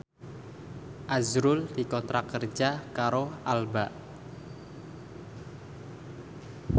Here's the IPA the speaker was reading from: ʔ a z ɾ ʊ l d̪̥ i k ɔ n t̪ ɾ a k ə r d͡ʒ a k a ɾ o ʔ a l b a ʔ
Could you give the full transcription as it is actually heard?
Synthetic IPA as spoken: ʔ a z ɾ ʊ l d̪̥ i k ɔ n t̪ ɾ a k ə r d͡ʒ a k a ɾ o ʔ a l b a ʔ